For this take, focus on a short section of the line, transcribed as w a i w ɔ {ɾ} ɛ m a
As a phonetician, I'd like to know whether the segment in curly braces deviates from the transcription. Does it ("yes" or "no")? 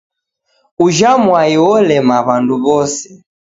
yes